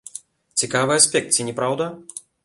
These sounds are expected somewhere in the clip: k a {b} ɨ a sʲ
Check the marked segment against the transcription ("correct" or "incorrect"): incorrect